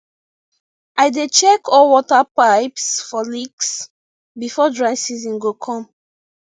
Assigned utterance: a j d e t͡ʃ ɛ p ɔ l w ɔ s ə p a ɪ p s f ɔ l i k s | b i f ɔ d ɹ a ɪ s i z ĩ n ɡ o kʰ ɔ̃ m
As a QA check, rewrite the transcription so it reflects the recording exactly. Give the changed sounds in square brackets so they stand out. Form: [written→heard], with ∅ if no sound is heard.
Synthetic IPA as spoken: a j d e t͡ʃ ɛ [p→k] ɔ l w ɔ [s→t] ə p a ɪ p s f ɔ l i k s | b i f ɔ d ɹ a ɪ s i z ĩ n ɡ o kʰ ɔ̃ m

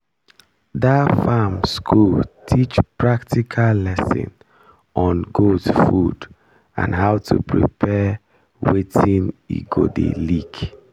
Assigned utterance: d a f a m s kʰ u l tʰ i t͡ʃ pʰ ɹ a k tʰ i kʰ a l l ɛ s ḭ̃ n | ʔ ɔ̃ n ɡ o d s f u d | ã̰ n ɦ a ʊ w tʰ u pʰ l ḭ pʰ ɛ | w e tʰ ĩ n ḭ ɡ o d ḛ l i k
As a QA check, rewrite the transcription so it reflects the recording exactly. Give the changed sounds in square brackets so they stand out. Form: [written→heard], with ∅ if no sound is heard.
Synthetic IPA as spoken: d a f a m s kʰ u l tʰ i t͡ʃ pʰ ɹ a k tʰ i kʰ a l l ɛ s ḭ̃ n | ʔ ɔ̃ n ɡ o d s f u d | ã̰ n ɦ a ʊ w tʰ u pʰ [l→ɹ] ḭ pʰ ɛ | w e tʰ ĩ n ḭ ɡ o d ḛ l i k

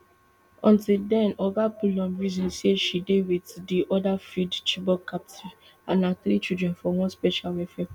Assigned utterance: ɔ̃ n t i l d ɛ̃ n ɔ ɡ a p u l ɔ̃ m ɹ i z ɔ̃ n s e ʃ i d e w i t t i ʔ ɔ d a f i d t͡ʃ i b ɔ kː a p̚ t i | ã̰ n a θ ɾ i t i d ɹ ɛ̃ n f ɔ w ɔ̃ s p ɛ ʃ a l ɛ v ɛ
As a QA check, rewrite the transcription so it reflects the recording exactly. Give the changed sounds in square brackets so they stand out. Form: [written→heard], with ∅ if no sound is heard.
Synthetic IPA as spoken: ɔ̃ n t i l d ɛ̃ n ɔ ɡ a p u l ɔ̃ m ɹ i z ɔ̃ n s e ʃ i d e w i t [t→d] i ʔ ɔ d a f i d t͡ʃ i b ɔ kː a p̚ t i | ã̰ n a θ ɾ i [t→t͡ʃ] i d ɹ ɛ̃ n f ɔ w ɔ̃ s p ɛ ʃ a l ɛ [v→f] ɛ

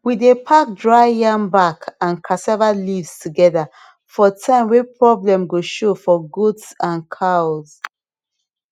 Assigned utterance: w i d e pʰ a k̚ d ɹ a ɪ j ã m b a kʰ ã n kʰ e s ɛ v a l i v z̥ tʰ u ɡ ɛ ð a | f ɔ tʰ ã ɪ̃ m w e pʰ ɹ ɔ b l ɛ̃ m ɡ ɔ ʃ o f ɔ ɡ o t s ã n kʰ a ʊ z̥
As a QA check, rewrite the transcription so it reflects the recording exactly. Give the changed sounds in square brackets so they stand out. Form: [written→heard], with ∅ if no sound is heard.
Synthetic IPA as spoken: w i d e pʰ a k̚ d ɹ a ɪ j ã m b a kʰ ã n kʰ [e→a] s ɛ v a l i v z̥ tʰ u ɡ ɛ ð a | f ɔ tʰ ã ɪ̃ m w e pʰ ɹ ɔ b l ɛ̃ m ɡ [ɔ→o] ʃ o f ɔ ɡ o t s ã n kʰ a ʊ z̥

